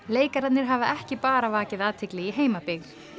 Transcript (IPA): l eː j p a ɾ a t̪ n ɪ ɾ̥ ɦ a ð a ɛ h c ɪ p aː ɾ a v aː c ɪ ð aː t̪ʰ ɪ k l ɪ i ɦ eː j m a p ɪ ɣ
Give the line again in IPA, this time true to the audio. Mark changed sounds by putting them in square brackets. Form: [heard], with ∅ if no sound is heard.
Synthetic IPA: l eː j [k] a ɾ a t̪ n ɪ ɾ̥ ɦ a [v] a ɛ h c ɪ p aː ɾ a v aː c ɪ ð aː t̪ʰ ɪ k l ɪ i ɦ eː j m a p ɪ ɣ

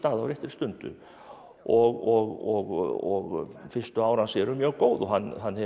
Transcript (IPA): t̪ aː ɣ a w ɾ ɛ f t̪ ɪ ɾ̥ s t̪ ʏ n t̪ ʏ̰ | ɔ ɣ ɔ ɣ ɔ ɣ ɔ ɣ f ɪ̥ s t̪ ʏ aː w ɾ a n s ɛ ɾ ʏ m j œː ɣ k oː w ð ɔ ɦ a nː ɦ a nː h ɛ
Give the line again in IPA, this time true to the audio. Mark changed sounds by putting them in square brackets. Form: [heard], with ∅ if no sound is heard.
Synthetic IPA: t̪ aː [ð] a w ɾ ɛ [h] t̪ ɪ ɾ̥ s t̪ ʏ n t̪ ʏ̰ | ɔ ɣ ɔ ɣ ɔ ɣ ɔ ɣ f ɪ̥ s t̪ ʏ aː w ɾ a n s ɛ ɾ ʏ m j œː ɣ k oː w ð ɔ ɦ a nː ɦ a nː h ɛ

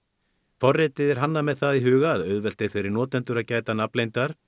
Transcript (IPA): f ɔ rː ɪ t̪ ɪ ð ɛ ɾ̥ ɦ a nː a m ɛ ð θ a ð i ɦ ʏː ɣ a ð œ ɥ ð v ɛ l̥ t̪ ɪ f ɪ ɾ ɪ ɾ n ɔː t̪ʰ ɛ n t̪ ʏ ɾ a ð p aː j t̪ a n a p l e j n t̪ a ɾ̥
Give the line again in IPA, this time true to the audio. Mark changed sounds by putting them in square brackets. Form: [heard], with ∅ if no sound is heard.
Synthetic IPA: f ɔ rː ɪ t̪ ɪ ð ɛ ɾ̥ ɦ a nː a m ɛ ð θ a ð i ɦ ʏː ɣ a ð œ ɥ ð v ɛ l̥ t̪ ɪ f ɪ ɾ ɪ ɾ n ɔː [t̪] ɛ n t̪ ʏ ɾ a ð [c] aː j t̪ a n a p l e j n t̪ a ɾ̥

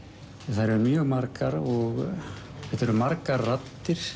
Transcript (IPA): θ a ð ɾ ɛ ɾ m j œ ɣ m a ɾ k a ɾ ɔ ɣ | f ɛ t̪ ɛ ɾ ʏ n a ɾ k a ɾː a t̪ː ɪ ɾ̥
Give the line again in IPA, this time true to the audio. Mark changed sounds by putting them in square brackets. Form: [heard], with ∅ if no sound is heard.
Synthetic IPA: θ a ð ɾ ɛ ɾ m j œ ɣ m a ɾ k a ɾ ɔ ɣ | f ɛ t̪ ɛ ɾ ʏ [m] a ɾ k a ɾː a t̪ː ɪ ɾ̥

